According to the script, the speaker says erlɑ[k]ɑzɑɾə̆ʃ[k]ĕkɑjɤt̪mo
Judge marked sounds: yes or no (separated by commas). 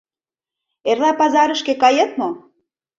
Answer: no, yes